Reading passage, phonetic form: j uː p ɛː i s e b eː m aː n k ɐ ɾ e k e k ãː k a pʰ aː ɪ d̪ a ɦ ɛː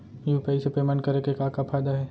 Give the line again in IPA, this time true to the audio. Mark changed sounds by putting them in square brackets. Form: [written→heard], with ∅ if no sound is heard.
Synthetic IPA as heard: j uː p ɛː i s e [b→p] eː m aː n k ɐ ɾ e k e k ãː k a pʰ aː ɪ d̪ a ɦ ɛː